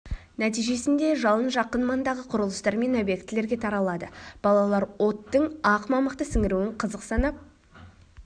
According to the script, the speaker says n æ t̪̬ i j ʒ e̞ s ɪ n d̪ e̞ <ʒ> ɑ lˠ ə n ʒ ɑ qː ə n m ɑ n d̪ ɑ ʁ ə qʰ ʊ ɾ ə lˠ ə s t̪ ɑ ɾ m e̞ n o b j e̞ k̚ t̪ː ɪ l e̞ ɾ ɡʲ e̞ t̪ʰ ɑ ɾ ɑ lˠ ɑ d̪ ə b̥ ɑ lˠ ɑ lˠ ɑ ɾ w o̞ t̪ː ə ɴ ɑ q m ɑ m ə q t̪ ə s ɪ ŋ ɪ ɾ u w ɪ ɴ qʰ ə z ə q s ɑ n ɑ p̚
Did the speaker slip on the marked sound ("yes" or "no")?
no